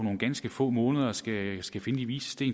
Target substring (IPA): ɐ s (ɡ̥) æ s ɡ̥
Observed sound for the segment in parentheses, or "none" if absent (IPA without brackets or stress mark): ɡ̥